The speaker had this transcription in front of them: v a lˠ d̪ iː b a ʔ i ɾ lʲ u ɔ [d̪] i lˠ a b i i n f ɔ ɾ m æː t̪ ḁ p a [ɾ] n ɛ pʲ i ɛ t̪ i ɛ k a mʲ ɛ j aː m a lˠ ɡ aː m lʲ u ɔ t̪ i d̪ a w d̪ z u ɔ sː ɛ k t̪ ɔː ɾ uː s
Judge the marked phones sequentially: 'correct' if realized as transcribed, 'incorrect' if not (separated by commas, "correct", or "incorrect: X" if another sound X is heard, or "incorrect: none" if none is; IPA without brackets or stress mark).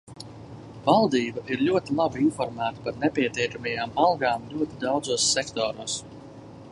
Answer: incorrect: t̪, correct